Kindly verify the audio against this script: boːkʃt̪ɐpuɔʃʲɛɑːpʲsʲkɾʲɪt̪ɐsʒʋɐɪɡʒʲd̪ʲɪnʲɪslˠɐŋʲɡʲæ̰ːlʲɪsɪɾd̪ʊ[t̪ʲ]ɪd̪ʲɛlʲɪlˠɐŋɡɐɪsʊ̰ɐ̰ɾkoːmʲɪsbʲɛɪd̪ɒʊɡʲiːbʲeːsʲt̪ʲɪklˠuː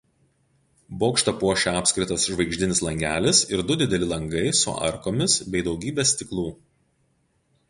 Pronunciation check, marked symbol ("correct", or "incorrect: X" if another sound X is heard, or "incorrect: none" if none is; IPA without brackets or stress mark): incorrect: d̪ʲ